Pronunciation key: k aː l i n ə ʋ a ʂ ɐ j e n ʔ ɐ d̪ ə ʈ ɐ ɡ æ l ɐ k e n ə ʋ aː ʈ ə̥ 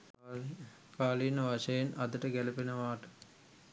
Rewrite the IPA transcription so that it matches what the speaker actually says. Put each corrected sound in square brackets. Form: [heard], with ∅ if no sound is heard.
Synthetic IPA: k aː l i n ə ʋ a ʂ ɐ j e n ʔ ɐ d̪ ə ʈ [ə] ɡ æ l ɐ [p] e n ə ʋ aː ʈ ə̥